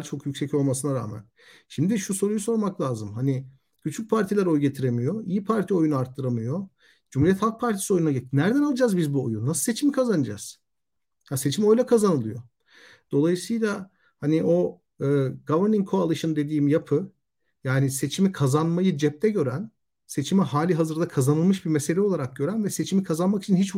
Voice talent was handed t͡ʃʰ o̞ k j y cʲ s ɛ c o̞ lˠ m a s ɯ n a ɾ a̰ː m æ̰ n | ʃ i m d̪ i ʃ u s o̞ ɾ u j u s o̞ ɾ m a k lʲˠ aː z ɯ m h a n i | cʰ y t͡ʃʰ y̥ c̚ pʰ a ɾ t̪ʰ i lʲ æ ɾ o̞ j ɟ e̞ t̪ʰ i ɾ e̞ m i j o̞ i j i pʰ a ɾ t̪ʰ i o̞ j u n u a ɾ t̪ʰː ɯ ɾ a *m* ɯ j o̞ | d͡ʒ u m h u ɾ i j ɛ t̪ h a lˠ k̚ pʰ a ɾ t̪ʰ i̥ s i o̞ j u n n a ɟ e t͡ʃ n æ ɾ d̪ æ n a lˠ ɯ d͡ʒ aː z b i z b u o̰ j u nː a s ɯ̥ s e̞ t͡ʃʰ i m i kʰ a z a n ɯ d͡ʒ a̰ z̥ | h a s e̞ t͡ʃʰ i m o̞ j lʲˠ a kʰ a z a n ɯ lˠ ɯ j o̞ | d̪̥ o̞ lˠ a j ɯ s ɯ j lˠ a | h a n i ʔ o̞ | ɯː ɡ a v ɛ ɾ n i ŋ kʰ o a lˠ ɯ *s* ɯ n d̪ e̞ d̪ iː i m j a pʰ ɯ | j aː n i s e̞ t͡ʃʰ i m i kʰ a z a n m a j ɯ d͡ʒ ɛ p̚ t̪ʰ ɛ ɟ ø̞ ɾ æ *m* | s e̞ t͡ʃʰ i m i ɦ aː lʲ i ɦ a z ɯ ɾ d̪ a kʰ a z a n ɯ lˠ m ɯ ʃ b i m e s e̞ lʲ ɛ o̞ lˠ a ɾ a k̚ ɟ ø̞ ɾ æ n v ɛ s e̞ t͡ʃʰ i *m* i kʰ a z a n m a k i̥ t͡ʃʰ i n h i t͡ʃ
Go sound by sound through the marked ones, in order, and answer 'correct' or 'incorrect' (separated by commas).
correct, incorrect, incorrect, correct